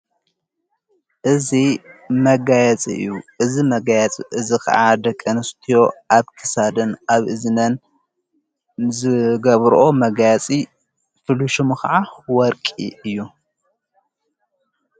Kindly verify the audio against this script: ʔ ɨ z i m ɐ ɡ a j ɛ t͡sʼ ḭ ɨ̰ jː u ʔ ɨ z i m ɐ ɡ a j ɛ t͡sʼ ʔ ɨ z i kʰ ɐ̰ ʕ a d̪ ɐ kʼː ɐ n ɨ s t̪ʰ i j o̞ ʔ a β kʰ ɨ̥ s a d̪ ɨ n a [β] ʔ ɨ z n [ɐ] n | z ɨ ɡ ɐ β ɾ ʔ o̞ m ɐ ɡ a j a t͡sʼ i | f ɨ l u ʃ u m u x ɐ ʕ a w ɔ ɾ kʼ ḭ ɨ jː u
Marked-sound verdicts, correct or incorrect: correct, correct

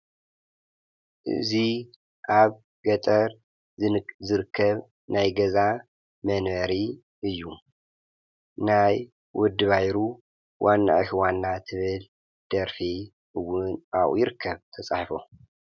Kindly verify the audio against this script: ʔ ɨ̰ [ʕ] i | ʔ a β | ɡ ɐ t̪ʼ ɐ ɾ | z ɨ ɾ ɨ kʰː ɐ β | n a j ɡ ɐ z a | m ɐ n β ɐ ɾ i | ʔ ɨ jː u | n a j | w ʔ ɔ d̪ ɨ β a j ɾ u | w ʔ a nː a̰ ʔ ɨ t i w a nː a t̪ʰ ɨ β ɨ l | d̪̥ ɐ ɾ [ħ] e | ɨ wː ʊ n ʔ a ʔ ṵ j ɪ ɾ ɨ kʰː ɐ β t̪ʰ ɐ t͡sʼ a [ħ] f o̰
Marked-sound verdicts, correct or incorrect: incorrect, incorrect, correct

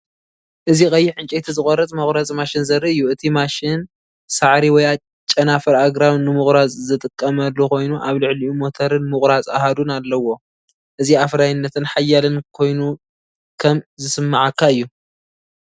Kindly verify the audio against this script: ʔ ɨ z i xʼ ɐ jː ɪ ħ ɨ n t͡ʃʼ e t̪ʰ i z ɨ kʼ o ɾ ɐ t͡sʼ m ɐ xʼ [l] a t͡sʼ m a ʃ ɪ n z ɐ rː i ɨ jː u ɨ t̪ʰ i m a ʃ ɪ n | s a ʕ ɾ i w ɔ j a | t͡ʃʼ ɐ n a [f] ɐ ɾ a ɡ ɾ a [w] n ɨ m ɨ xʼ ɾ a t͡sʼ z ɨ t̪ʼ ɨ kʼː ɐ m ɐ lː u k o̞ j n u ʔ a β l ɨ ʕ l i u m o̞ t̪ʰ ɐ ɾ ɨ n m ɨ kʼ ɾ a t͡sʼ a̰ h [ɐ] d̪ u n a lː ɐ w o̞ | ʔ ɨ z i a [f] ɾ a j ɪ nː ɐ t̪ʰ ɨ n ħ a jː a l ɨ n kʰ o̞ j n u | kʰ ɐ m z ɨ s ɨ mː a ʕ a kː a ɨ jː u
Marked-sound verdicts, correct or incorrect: incorrect, correct, correct, incorrect, correct

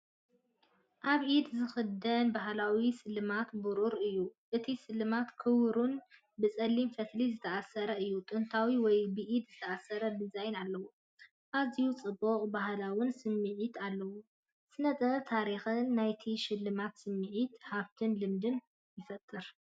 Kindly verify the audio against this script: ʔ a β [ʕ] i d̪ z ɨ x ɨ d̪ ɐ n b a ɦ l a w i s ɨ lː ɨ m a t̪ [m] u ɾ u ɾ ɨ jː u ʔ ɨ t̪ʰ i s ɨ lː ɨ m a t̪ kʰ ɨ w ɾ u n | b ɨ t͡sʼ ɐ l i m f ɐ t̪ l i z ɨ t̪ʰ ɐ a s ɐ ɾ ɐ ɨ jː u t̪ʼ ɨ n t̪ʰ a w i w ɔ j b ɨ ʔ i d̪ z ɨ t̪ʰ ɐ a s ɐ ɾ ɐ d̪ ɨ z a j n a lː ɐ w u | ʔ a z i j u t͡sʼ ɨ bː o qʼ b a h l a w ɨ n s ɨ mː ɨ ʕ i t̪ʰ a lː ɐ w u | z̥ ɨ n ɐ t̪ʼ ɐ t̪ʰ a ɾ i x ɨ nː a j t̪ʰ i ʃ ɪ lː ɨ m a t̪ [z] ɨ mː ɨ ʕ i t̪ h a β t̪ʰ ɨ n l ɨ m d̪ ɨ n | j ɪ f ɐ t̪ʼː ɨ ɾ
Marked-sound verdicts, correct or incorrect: correct, incorrect, incorrect

